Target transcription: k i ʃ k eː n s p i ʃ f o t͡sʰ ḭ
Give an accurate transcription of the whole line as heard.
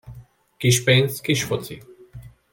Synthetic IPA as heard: k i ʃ p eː n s k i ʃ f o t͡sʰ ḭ